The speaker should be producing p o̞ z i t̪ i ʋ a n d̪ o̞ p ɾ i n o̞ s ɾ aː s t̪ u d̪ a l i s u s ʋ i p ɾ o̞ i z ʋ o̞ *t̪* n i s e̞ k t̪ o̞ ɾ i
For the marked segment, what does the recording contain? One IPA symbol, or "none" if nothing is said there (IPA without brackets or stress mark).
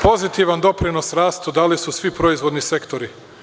d̪